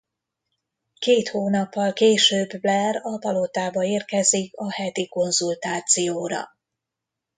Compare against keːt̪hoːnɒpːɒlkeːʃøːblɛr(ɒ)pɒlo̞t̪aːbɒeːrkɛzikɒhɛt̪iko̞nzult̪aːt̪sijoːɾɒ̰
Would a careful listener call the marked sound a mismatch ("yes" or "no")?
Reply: no